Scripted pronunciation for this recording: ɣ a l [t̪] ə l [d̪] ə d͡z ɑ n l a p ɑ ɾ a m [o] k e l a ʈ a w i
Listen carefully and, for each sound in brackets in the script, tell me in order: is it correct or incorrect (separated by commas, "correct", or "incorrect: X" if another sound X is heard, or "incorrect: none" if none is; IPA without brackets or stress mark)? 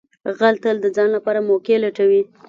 correct, correct, correct